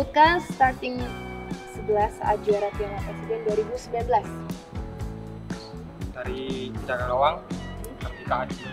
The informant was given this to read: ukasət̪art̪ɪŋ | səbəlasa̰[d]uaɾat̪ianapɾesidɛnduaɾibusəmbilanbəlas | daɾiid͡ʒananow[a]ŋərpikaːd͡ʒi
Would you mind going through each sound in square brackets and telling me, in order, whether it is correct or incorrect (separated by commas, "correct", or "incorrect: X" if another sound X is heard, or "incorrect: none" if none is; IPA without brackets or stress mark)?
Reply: incorrect: d͡ʒ, correct